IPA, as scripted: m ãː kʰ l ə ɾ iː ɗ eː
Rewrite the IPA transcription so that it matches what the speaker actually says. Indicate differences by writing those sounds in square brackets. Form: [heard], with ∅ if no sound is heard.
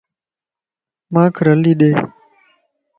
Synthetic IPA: m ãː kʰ [ɾ] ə [l] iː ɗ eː